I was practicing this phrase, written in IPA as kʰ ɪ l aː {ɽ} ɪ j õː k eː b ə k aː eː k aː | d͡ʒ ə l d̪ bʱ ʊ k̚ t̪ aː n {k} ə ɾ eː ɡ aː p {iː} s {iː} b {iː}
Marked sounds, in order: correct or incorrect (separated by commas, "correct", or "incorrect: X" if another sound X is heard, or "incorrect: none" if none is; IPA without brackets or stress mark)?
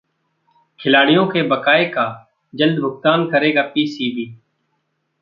correct, correct, correct, correct, correct